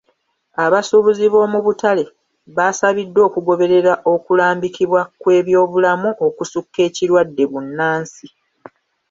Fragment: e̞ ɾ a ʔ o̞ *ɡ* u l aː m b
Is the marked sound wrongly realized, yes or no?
yes